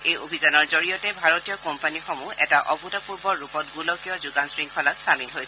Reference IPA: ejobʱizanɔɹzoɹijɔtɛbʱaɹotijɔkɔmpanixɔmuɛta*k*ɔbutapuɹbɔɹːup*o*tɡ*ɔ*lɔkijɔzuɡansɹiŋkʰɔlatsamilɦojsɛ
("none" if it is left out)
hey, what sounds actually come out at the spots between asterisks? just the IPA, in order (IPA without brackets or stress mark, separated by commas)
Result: ʔ, ɔ, u